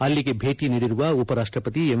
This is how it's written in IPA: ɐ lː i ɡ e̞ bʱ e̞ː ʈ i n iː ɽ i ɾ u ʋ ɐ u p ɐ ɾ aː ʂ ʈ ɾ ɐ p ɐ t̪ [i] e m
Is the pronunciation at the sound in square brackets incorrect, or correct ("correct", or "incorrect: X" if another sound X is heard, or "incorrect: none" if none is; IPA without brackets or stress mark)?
correct